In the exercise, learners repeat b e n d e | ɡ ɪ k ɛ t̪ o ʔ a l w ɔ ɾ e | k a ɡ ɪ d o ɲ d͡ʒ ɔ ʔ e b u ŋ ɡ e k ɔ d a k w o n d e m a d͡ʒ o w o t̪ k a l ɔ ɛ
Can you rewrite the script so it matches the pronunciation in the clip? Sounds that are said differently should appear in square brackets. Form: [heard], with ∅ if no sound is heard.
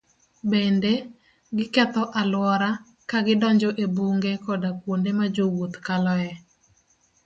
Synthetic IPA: b e n d e | ɡ ɪ k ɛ t̪ [ɔ] ʔ a l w ɔ ɾ [a] | k a ɡ ɪ d [ɔ] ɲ d͡ʒ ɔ ʔ e b u ŋ ɡ e k ɔ d a k w o n d e m a d͡ʒ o w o t̪ k a l ɔ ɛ